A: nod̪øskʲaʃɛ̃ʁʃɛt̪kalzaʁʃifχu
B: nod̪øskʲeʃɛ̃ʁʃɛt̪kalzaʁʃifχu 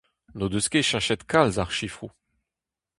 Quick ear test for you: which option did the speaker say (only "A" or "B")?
B